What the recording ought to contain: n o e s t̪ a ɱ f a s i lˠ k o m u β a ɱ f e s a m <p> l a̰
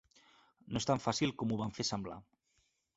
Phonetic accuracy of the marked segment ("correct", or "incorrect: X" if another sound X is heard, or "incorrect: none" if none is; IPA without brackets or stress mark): incorrect: b